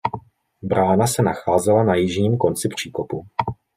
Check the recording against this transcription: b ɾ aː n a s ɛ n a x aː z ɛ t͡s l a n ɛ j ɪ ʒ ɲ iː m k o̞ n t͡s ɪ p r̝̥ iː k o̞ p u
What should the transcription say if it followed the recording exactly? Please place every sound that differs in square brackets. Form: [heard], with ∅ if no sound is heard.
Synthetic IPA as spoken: b ɾ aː n a s ɛ n a x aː z ɛ [∅] l a n [a] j ɪ ʒ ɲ iː m k o̞ n t͡s ɪ p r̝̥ iː k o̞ p u